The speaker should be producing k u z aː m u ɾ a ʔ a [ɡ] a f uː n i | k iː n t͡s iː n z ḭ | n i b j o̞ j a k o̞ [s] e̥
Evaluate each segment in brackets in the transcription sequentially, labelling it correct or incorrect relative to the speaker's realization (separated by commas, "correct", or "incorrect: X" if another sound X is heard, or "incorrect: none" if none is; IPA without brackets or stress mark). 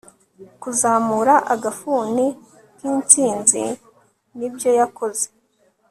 correct, incorrect: z